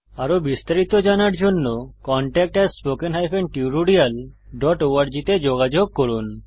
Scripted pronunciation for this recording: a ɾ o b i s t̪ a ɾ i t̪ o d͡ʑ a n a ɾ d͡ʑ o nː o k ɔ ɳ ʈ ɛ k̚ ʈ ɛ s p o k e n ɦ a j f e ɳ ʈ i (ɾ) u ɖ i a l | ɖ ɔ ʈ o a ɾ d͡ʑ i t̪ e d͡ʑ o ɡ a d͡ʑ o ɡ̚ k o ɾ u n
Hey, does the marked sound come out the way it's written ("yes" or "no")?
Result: yes